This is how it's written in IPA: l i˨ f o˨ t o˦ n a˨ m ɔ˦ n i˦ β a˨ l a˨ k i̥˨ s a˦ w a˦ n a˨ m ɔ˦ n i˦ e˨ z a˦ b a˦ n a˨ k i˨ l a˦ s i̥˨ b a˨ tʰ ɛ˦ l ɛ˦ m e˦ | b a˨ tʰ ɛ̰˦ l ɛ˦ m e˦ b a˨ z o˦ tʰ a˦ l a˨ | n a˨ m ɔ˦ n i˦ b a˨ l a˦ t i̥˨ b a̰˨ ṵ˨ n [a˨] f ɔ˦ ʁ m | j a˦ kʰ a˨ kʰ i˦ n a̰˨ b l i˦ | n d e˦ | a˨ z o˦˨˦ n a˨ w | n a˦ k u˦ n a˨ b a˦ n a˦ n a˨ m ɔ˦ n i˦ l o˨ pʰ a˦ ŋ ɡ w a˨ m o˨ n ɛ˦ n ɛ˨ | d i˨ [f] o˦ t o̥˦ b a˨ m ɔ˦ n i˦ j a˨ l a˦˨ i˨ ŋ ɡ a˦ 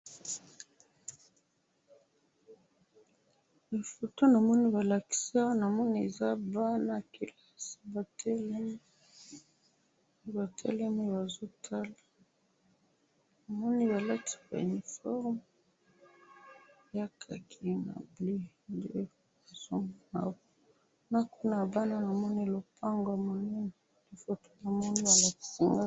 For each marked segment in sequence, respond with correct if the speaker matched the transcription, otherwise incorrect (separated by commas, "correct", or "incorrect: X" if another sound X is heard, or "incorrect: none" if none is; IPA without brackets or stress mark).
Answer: incorrect: i˨, correct